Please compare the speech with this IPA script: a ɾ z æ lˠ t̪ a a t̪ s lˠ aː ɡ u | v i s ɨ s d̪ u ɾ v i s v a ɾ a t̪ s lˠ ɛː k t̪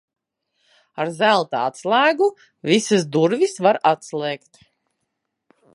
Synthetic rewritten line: a ɾ z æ lˠ t̪ a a t̪ s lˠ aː ɡ u | v i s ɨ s d̪ u ɾ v i s v a ɾ a t̪ s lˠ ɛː k t̪